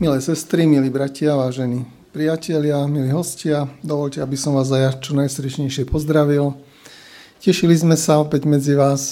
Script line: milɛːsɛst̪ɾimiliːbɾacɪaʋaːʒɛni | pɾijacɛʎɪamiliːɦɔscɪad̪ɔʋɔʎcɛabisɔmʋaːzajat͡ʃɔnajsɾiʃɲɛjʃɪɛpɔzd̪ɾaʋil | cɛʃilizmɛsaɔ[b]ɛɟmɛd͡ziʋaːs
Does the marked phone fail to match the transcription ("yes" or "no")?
yes